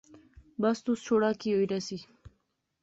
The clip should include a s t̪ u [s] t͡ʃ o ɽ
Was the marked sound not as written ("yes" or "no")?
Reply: no